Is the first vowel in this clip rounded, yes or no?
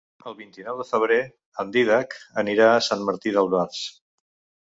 no